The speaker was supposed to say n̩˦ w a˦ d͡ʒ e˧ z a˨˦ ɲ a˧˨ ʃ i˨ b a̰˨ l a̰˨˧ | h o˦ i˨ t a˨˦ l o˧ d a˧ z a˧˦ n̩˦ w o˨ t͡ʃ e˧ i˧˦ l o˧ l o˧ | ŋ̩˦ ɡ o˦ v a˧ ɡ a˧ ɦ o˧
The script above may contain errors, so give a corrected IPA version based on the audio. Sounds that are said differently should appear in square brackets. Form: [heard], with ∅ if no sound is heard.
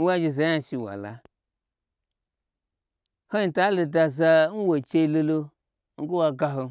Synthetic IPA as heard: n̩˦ w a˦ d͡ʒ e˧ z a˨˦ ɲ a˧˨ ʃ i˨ [w] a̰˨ l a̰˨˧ | h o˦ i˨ t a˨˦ l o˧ d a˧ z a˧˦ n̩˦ w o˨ t͡ʃ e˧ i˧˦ l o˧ l o˧ | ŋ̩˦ ɡ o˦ [w] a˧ ɡ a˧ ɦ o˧